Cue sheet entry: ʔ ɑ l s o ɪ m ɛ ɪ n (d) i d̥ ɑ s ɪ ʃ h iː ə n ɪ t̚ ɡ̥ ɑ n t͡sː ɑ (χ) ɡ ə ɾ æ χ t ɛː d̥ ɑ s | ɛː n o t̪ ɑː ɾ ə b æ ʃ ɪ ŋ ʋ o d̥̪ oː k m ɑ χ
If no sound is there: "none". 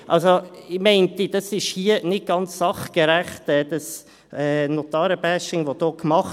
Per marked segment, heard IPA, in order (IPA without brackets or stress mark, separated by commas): t, χ